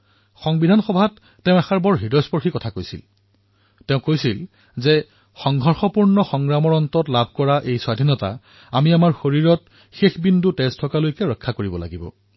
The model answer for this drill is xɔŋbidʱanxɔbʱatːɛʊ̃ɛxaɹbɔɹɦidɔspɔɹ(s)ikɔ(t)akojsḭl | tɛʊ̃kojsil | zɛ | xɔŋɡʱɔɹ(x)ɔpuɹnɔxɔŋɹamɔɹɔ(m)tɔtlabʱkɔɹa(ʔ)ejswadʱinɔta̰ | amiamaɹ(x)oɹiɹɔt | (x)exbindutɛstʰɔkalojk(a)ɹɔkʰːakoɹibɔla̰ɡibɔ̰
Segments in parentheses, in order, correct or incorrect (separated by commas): incorrect, incorrect, correct, incorrect, correct, correct, correct, incorrect